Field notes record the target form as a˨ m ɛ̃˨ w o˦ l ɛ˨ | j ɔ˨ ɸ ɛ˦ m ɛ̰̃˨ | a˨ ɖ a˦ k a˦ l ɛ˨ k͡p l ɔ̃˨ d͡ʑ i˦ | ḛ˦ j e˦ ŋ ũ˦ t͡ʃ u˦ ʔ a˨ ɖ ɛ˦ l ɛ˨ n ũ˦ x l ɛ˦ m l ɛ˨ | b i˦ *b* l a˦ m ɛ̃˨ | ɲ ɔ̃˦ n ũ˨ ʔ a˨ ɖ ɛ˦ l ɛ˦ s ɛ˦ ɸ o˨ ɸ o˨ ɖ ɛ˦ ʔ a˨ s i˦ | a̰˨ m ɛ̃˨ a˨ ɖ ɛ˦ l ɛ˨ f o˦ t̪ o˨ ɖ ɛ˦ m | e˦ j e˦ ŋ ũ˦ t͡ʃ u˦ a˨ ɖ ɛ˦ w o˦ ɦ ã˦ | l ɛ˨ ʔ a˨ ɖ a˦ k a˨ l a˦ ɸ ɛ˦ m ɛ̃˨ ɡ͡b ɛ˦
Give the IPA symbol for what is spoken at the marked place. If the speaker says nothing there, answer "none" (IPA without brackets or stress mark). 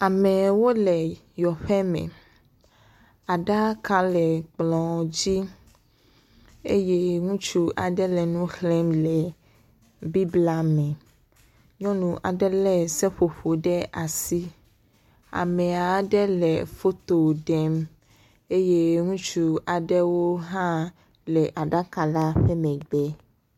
b